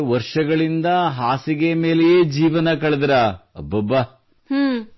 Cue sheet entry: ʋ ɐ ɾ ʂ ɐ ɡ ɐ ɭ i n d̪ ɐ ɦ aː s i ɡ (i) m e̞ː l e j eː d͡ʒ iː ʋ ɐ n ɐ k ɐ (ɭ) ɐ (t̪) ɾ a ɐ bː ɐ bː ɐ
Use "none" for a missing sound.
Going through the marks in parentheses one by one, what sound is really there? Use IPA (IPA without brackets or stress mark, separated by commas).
e, ɭ, d̪